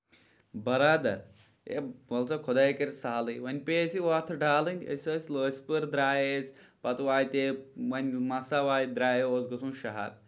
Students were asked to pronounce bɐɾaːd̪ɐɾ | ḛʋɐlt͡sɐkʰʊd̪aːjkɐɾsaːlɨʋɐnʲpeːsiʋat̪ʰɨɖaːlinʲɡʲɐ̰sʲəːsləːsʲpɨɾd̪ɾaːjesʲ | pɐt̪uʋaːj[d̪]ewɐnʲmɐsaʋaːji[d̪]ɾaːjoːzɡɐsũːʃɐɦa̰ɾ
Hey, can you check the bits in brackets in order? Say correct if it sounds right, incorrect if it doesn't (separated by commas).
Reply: incorrect, correct